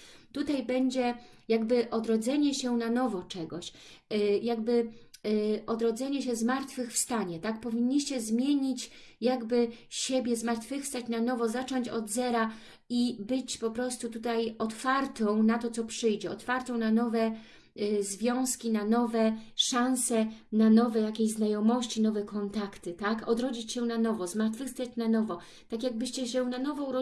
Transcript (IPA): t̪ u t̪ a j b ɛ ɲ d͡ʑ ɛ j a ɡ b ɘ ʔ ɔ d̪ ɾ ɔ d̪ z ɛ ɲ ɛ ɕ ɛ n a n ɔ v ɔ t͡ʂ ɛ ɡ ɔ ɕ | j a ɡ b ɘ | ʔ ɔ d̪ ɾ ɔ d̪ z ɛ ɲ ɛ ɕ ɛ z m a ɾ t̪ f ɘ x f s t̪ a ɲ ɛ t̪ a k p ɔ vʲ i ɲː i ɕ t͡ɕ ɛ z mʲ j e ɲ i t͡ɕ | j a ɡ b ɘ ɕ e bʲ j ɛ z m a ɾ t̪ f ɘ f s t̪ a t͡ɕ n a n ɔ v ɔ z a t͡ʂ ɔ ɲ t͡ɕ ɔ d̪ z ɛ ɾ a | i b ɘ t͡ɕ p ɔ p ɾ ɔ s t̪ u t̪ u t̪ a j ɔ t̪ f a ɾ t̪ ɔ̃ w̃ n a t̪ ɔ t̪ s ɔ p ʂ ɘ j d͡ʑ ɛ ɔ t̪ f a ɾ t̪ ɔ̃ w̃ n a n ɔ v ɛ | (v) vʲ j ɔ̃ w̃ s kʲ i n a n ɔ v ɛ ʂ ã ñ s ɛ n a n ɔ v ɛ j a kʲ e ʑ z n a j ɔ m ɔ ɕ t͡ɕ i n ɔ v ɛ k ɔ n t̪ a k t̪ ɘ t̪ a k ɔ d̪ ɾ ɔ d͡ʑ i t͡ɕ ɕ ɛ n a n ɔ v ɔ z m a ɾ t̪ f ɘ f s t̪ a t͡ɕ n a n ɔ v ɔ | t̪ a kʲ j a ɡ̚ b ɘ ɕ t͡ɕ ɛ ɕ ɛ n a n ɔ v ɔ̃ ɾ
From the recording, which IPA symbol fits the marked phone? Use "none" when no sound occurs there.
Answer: z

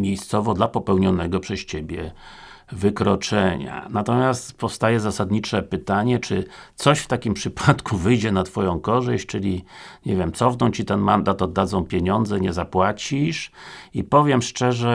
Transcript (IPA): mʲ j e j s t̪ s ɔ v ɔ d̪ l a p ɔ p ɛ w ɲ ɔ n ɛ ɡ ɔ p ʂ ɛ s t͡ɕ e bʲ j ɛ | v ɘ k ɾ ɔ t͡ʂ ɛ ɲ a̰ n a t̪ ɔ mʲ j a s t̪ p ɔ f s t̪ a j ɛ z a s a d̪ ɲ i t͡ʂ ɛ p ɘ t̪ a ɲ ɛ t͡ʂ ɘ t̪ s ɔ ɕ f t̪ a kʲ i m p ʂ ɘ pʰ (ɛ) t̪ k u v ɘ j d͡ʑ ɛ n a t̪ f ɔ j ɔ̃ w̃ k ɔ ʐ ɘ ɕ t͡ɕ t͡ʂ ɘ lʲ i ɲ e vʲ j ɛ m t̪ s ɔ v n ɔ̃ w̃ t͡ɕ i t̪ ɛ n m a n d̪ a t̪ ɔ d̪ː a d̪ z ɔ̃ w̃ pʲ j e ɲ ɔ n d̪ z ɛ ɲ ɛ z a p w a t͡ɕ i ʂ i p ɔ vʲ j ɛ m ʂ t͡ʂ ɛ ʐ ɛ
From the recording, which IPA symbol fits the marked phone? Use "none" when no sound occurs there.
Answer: a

